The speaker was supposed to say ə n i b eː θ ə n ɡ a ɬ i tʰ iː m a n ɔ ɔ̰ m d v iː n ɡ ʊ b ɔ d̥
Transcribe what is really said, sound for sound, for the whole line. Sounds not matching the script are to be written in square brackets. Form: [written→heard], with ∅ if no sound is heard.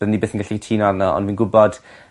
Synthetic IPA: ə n i b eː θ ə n ɡ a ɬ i tʰ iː [m→n] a n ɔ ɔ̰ [m→n] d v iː n ɡ ʊ b ɔ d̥